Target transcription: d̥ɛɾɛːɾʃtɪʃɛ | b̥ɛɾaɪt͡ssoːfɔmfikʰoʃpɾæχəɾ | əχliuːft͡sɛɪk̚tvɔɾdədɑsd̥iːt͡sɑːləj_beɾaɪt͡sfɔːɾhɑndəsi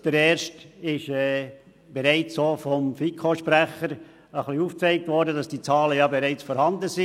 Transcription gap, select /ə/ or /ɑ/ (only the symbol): ɑ